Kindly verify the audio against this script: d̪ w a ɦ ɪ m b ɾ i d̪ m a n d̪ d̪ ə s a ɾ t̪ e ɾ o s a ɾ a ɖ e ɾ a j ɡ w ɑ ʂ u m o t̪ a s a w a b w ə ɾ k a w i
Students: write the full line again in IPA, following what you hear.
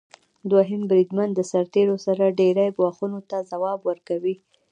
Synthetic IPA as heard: d̪ w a ɦ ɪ m b ɾ i d̪ m a n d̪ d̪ ə s a ɾ t̪ e ɾ o s a ɾ a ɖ e ɾ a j ɡ w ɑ x u n o t̪ a z a w ɑ b w ə ɾ k a w i